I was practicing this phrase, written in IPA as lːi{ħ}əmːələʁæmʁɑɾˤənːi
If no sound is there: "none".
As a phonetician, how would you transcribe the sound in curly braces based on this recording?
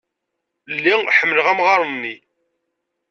ħ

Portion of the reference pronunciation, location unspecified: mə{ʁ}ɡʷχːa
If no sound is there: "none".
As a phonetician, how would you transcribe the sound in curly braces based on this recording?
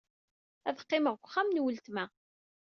ʁ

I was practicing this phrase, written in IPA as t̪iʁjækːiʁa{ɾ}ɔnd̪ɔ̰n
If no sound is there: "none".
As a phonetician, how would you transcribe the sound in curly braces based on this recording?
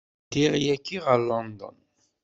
l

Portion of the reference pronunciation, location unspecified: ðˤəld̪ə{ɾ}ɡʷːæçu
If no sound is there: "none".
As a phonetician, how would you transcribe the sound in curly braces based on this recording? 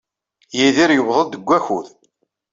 none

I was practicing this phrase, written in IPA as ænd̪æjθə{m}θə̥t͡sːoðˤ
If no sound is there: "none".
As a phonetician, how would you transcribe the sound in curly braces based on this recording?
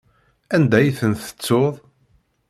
n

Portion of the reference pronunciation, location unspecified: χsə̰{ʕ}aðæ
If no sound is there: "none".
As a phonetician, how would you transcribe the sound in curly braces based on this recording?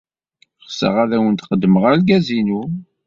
ʁ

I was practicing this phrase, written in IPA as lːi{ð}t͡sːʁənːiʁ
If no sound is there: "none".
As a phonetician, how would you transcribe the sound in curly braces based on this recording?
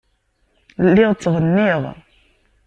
ʁ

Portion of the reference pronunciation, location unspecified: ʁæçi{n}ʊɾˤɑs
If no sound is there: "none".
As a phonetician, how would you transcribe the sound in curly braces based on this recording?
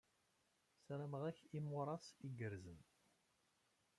m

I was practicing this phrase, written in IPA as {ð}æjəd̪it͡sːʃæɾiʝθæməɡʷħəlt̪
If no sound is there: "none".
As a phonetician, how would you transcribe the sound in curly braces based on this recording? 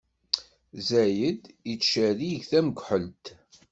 z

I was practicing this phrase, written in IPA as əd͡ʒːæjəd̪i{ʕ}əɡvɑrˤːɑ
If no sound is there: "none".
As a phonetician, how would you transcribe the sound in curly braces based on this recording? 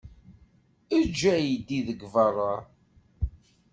ð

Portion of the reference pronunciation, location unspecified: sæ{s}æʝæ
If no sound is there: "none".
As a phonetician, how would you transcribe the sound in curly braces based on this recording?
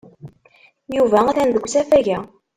f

